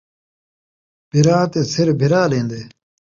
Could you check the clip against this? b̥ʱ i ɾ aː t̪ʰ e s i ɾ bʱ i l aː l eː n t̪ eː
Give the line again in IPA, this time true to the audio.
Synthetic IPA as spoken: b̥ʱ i ɾ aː t̪ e s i ɾ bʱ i ɾ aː l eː n d̪ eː